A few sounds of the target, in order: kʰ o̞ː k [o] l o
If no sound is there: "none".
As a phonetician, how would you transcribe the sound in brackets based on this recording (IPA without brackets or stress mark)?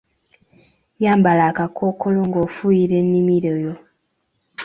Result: o